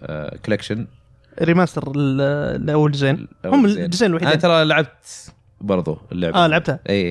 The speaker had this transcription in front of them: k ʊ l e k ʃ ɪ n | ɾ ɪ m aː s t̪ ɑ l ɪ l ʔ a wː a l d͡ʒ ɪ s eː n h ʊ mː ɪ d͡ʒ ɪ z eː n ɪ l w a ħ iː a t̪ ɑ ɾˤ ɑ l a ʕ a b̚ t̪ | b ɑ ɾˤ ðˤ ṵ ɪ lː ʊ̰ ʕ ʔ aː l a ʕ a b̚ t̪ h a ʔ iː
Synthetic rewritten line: k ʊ l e k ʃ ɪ n | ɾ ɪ m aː s t̪ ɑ ɾ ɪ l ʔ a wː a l d͡ʒ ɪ z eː n h ʊ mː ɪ d͡ʒ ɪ z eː n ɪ l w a ħ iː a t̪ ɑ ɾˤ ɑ l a ʕ a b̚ t̪ | b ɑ ɾˤ ðˤ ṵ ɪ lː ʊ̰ ʕ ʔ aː l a ʕ a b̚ t̪ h a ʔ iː